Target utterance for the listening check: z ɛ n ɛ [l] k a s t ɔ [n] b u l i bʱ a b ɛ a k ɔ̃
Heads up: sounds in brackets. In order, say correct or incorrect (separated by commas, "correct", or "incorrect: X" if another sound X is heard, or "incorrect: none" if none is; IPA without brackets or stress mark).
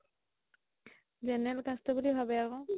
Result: correct, incorrect: none